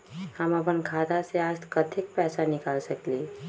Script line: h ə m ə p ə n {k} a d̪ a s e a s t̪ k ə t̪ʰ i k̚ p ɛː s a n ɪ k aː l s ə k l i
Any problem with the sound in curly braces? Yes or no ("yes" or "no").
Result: yes